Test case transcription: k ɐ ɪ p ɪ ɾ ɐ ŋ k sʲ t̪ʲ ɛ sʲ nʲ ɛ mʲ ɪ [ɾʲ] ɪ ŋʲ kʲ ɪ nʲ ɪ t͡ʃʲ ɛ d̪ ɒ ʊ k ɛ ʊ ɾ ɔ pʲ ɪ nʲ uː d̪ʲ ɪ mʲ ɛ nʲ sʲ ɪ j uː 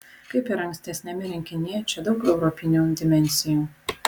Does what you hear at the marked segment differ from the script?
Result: no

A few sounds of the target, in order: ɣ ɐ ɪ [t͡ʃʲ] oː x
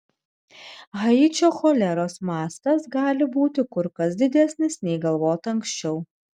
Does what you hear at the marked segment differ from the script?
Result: no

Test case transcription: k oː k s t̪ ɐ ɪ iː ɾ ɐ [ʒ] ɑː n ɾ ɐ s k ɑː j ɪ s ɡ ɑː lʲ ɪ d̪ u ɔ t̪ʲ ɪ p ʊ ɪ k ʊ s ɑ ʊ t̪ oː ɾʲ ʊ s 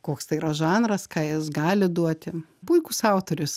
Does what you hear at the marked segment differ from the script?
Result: no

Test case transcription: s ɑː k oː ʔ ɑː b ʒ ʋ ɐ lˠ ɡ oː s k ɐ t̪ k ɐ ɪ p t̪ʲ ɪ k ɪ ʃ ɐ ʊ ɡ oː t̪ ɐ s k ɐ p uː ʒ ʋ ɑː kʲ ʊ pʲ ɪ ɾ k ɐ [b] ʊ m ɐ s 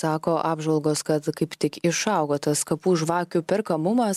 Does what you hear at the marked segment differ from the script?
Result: yes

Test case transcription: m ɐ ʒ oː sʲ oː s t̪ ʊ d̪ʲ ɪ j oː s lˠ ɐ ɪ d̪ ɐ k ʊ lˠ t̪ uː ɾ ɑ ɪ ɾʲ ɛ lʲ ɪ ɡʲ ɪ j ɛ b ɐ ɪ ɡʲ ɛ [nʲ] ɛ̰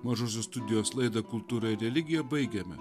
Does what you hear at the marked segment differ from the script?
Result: yes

